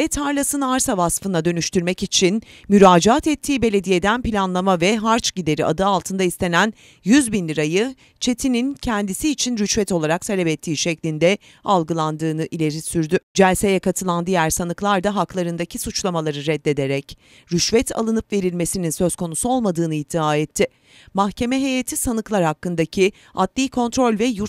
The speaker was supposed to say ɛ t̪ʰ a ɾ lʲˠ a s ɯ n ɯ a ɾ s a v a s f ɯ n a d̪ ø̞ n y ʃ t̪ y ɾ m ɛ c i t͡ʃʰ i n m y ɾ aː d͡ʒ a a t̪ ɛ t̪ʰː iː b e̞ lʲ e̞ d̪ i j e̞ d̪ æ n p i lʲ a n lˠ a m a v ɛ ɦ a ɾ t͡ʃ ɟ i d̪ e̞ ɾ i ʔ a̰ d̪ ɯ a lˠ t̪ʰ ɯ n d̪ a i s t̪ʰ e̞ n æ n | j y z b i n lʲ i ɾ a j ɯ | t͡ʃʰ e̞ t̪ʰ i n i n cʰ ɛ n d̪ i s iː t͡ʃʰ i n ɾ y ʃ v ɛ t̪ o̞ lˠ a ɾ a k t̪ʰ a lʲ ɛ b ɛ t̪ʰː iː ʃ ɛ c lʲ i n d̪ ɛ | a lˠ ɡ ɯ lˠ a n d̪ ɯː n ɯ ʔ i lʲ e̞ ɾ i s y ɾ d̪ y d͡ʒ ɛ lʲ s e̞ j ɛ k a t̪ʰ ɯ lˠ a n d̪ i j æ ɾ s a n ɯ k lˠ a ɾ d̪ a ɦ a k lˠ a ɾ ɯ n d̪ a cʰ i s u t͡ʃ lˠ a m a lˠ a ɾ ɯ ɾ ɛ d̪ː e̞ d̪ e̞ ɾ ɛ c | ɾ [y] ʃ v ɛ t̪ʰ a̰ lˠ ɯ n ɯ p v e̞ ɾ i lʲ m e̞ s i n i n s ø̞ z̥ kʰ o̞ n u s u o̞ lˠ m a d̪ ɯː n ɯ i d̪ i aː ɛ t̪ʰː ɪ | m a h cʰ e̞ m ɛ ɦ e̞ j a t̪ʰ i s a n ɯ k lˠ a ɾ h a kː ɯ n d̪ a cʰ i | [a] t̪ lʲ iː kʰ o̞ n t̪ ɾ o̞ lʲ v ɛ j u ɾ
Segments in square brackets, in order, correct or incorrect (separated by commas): correct, correct